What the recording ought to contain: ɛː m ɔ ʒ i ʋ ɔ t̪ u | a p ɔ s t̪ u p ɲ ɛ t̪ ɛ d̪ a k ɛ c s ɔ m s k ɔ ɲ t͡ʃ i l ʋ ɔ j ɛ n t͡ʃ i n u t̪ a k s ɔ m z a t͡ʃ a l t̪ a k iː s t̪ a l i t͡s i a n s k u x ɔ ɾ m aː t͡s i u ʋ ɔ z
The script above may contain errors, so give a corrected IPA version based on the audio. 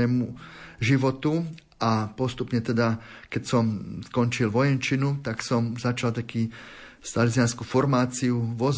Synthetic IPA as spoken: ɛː m u ʒ i ʋ ɔ t̪ u | a p ɔ s t̪ u p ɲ ɛ t̪ ɛ d̪ a k ɛ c s ɔ m s k ɔ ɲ t͡ʃ i l ʋ ɔ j ɛ n t͡ʃ i n u t̪ a k s ɔ m z a t͡ʃ a l t̪ a k iː s t̪ a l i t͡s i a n s k u f ɔ ɾ m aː t͡s i u ʋ ɔ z